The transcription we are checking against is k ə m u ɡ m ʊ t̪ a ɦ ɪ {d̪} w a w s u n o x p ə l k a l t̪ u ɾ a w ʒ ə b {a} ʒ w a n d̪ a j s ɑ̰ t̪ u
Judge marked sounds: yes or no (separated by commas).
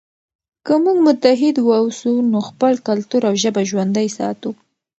yes, yes